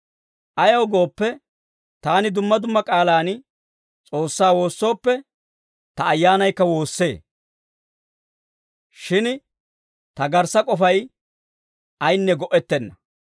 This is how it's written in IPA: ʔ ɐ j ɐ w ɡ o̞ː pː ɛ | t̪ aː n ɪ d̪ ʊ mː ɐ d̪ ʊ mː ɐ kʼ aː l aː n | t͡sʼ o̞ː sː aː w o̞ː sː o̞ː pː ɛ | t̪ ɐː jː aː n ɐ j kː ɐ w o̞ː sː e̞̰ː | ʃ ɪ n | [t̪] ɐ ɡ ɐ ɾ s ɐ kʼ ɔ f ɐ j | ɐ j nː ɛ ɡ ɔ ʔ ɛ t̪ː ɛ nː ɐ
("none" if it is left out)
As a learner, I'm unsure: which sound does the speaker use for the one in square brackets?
t̪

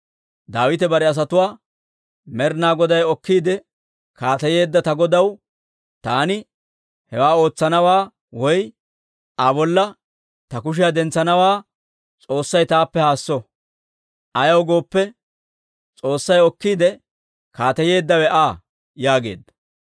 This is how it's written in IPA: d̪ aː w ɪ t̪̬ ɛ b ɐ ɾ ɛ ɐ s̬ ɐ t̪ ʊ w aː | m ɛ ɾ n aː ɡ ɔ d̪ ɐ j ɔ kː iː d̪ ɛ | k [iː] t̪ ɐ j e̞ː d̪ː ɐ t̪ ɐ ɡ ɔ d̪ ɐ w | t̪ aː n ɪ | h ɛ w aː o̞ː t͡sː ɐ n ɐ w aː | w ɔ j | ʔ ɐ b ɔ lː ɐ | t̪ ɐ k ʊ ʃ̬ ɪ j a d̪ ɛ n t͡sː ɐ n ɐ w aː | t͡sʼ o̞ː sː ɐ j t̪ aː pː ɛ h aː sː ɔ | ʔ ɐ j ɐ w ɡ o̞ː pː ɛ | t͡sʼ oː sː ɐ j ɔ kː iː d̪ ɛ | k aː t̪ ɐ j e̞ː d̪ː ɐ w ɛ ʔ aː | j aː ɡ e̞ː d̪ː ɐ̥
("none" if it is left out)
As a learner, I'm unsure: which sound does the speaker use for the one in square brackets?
aː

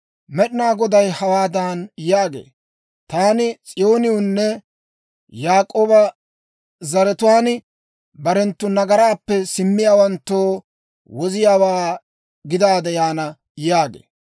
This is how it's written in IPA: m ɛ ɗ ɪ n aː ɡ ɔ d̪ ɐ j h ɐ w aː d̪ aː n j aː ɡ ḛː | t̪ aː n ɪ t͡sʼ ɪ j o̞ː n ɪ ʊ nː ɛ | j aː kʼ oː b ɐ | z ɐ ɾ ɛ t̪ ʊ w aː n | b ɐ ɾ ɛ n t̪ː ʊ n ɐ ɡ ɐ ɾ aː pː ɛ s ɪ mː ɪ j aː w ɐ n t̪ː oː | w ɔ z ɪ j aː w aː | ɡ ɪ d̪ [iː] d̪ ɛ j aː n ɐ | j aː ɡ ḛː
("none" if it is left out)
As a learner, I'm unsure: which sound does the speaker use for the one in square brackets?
aː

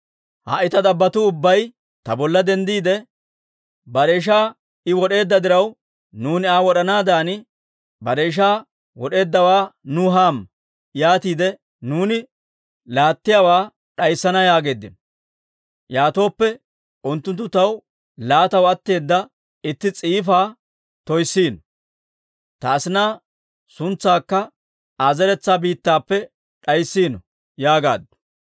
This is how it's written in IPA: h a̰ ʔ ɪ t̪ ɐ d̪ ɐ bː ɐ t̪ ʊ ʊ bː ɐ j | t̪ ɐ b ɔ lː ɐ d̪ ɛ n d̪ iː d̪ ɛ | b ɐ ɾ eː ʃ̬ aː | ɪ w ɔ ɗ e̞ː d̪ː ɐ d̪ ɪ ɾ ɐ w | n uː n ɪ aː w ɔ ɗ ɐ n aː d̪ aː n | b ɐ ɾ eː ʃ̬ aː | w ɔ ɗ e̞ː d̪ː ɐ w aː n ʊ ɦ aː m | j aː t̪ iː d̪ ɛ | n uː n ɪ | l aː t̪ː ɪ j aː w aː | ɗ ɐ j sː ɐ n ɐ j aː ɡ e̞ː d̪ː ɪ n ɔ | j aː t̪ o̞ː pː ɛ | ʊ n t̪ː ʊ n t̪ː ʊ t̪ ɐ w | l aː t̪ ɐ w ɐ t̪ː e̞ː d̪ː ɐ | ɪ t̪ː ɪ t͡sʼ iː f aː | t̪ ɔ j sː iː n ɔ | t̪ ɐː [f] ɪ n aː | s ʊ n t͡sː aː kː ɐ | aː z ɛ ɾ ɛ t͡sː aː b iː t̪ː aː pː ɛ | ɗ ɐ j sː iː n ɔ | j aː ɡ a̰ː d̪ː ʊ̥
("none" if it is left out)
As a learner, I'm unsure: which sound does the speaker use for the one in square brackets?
s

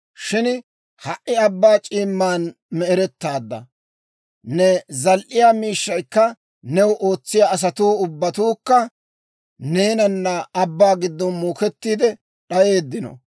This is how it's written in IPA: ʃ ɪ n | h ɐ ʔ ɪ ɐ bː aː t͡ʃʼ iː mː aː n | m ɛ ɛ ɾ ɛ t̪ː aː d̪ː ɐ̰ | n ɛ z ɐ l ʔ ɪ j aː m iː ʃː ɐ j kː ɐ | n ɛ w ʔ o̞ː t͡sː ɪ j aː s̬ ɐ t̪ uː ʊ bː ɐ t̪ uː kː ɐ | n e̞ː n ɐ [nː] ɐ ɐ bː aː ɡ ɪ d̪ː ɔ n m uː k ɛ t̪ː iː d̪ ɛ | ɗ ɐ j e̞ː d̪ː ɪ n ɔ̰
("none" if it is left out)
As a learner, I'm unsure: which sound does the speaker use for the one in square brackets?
nː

